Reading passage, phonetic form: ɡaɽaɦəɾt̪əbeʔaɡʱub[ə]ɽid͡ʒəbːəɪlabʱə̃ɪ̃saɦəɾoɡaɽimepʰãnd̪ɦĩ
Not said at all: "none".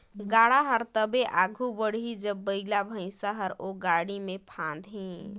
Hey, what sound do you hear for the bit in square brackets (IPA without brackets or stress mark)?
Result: ə